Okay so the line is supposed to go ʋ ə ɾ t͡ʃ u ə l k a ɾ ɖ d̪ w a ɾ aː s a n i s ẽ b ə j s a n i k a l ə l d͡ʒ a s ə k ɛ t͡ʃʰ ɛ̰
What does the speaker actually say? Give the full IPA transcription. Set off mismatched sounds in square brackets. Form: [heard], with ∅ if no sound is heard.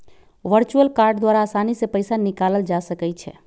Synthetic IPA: ʋ ə ɾ t͡ʃ u ə l k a ɾ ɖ d̪ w a ɾ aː s a n i s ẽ [p] ə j s a n i k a l ə l d͡ʒ a s ə k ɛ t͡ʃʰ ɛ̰

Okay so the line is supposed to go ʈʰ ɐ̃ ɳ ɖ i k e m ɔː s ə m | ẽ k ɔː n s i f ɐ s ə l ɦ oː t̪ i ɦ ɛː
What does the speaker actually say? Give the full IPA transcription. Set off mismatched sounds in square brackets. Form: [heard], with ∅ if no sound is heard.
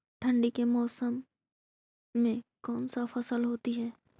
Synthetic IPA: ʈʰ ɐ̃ ɳ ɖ i k e m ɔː s ə m | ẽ k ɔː n s [a] f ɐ s ə l ɦ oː t̪ i ɦ ɛː

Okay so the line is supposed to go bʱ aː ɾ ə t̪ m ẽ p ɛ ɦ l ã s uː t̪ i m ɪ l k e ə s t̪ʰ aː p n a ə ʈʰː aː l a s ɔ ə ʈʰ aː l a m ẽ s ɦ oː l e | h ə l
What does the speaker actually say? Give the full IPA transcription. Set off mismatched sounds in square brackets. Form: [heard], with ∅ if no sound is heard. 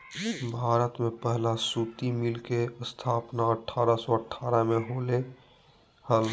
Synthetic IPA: bʱ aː ɾ ə t̪ m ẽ p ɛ ɦ l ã s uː t̪ i m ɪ l k e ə s t̪ʰ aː p n a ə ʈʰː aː [ɾ] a s ɔ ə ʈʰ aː [ɾ] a m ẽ [∅] ɦ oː l e | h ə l

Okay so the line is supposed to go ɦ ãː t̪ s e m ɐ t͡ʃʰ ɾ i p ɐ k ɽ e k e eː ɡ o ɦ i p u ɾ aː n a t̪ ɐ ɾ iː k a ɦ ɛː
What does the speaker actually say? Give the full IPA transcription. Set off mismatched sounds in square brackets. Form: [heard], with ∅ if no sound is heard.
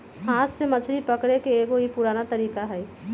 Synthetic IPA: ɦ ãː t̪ s e m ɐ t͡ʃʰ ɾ i p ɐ k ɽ e k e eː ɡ o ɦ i p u ɾ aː n a t̪ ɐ ɾ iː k a ɦ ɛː

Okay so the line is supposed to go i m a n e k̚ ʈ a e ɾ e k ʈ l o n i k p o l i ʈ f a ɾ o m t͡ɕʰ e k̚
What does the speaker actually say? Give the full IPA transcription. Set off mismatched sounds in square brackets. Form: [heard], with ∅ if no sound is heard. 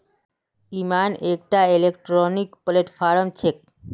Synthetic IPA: i m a n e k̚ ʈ a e [l] e k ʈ [ɾ] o n i k p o l [e] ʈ f a ɾ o m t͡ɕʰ e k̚

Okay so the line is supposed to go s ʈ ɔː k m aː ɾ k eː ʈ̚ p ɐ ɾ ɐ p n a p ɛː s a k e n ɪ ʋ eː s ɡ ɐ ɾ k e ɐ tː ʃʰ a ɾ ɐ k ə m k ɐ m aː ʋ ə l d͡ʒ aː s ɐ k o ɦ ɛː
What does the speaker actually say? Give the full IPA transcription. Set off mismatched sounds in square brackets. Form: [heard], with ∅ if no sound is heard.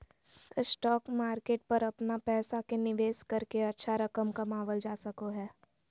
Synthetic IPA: s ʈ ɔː k m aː ɾ k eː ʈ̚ p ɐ ɾ ɐ p n a p ɛː s a k e n ɪ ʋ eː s [k] ɐ ɾ k e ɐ tː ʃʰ a ɾ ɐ k ə m k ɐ m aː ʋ ə l d͡ʒ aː s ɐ k o ɦ ɛː

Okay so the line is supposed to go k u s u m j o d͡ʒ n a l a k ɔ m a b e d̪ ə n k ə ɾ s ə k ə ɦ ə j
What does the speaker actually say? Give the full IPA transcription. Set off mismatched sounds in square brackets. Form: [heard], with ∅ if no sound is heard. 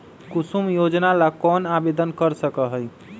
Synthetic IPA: k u s u m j o d͡ʒ n a l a k ɔ [n] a b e d̪ ə n k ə ɾ s ə k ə ɦ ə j

